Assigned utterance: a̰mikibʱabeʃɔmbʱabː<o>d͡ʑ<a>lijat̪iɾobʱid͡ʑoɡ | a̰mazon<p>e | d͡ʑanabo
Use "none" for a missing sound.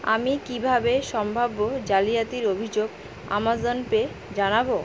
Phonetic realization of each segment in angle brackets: o, a, p

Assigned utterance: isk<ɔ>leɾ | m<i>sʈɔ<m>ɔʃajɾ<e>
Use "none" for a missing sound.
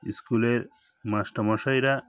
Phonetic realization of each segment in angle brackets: u, a, m, a

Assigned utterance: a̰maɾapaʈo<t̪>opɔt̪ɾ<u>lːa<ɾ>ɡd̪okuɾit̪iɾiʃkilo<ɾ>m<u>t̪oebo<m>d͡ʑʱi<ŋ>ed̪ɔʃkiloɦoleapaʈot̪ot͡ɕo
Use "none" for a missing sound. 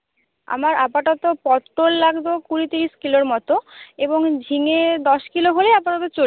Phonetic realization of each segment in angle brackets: t̪, o, none, ɾ, ɔ, ŋ, ŋ

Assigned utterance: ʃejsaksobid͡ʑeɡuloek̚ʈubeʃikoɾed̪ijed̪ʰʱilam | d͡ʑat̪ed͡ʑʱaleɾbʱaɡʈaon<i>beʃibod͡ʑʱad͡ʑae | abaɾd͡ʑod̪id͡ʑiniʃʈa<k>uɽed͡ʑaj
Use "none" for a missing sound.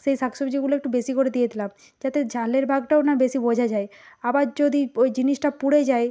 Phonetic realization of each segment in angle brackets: a, p

